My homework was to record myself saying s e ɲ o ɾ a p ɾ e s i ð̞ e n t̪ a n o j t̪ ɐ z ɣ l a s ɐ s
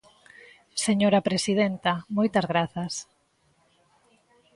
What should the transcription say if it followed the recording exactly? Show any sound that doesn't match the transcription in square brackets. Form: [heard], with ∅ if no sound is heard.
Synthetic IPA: s e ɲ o ɾ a p ɾ e s i ð̞ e n t̪ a [m] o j t̪ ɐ z ɣ [ɾ] a [θ] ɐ s